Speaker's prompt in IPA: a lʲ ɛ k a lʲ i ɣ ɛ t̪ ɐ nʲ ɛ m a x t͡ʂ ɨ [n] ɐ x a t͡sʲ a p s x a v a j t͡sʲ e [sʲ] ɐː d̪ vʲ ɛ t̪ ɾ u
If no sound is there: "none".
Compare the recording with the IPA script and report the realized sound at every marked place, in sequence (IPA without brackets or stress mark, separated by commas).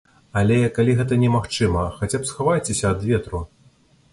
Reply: m, sʲ